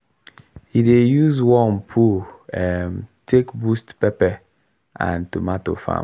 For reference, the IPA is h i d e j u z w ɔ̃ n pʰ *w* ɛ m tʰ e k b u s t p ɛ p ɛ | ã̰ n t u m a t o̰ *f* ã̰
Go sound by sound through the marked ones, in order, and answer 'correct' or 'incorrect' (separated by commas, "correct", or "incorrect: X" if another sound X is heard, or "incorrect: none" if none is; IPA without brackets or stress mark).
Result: incorrect: u, correct